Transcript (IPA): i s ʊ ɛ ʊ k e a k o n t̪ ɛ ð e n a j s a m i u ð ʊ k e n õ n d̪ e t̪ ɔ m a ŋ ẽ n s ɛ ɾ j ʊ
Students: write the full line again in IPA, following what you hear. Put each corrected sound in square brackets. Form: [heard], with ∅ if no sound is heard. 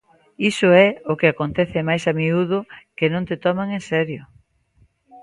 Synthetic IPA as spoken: i s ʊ ɛ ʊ k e a k o n t̪ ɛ [θ] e [m] a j s a m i u ð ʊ k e n õ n [t̪] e t̪ ɔ m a ŋ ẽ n s ɛ ɾ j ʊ